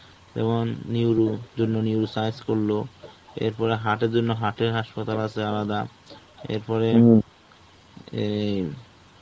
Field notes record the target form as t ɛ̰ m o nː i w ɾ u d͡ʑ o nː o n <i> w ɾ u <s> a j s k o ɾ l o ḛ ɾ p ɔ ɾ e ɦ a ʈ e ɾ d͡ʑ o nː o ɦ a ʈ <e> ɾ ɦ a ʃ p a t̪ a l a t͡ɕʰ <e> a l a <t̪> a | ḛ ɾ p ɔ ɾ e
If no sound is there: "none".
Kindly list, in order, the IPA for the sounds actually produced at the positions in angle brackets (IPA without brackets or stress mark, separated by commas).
i, s, e, e, d̪